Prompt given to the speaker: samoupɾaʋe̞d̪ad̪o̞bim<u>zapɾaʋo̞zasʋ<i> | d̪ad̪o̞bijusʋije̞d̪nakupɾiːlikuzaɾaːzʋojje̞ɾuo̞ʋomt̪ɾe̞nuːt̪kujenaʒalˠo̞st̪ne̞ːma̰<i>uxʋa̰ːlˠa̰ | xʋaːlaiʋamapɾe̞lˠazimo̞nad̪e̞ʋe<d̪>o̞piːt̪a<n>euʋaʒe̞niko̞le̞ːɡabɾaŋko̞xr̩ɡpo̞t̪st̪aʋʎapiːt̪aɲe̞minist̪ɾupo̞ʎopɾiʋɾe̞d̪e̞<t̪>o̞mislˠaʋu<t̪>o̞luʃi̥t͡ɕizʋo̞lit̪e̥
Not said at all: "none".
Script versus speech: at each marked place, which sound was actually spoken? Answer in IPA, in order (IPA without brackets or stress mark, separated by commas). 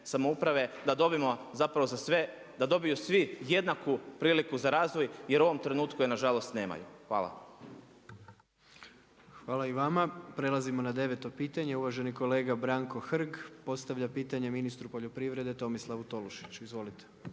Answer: o, e, j, t̪, ɲ, t̪, t̪